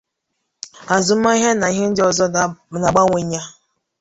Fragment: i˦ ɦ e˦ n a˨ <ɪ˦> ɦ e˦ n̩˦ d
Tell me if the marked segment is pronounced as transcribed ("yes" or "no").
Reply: no